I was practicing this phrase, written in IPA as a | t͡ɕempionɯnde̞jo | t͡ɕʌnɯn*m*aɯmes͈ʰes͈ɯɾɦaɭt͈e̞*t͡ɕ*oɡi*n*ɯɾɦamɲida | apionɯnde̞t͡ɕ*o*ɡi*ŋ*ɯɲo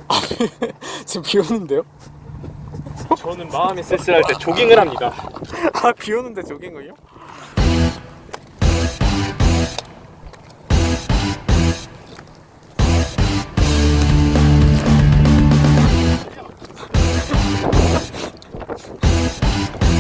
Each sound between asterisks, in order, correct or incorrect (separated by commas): correct, correct, incorrect, correct, correct